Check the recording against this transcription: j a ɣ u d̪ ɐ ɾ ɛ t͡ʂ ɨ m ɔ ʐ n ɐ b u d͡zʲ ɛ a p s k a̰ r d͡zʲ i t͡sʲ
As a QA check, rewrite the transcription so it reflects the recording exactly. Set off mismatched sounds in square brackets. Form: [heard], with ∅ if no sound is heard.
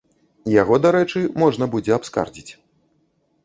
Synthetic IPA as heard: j a ɣ [ɔ] d̪ [a] ɾ ɛ t͡ʂ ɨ m ɔ ʐ n ɐ b u d͡zʲ ɛ a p s k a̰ r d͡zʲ i t͡sʲ